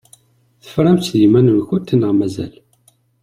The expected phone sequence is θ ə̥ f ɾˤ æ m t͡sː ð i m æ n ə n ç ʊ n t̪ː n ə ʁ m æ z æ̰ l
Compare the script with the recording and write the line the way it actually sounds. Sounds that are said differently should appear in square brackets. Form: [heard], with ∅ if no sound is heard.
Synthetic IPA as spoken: θ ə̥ f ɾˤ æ m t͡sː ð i m æ n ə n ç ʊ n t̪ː n ə ʁ m æ z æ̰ l